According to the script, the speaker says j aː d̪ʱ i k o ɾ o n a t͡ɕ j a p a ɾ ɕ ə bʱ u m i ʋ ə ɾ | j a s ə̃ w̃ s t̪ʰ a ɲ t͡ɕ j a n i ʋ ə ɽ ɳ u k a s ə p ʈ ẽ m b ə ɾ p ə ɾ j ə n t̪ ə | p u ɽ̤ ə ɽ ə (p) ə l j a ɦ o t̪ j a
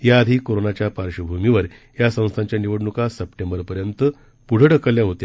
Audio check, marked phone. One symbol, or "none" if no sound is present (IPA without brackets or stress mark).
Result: k